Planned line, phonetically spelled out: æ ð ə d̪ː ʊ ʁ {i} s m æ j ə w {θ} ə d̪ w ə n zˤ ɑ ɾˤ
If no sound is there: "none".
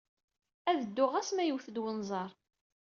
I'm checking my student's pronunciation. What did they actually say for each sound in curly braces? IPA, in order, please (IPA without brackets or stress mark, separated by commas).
æ, θ